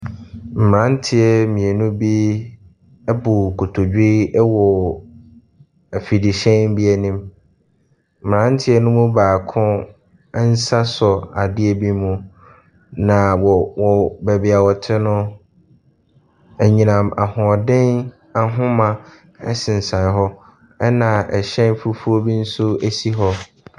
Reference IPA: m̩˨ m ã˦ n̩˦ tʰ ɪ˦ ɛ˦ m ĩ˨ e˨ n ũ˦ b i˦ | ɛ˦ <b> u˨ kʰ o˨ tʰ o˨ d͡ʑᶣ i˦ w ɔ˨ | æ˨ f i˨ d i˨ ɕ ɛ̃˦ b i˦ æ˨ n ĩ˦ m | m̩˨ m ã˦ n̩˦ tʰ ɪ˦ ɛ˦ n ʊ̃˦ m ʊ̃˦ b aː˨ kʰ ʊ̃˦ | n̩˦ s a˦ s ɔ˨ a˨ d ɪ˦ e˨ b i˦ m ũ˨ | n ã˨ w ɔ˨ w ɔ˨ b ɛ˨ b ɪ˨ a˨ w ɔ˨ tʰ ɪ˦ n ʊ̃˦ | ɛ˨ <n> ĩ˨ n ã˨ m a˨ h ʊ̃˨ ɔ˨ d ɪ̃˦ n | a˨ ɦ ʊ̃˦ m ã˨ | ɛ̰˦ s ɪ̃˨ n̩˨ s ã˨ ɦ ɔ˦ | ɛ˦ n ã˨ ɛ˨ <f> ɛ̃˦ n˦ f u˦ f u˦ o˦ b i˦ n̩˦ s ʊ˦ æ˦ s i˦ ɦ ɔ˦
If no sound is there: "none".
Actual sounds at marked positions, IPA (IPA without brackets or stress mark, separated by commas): b, ɲ, ɕ